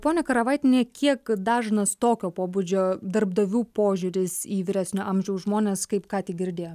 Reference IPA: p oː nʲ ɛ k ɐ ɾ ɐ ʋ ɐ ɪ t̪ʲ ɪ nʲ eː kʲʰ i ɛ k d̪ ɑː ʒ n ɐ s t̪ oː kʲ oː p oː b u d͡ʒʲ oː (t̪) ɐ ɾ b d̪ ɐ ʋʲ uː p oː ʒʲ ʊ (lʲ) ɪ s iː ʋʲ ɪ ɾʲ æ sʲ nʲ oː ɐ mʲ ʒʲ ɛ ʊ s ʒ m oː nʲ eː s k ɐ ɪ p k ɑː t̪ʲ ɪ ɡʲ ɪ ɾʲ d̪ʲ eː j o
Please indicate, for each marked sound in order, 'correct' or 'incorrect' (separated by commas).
incorrect, incorrect